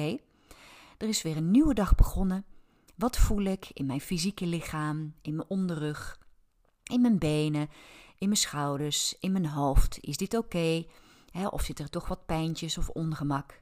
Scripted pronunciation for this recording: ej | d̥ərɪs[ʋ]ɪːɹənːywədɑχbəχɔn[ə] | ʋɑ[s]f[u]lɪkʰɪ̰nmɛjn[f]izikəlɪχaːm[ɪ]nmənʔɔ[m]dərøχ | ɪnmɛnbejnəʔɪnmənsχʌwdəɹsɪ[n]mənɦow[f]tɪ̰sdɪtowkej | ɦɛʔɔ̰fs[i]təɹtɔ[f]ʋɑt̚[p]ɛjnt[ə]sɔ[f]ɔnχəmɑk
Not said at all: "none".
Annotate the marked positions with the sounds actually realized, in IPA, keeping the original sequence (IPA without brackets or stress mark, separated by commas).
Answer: ʋ, ə, t, u, f, ɪ, n, n, f, ɪ, χ, p, ə, f